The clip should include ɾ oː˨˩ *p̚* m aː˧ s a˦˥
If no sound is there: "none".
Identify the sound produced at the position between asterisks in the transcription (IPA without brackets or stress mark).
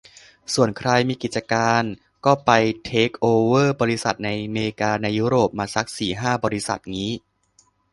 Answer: p̚